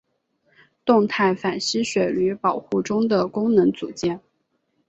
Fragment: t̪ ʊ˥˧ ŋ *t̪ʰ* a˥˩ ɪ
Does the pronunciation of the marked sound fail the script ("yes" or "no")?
no